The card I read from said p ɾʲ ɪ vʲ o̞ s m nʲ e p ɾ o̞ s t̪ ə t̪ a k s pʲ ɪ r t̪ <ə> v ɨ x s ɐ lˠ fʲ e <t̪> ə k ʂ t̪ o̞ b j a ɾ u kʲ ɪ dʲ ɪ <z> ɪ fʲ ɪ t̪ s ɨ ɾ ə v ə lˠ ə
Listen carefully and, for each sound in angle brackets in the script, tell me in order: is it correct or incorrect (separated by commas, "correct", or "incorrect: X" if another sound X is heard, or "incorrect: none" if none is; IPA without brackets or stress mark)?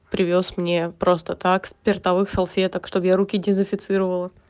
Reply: incorrect: ɐ, correct, correct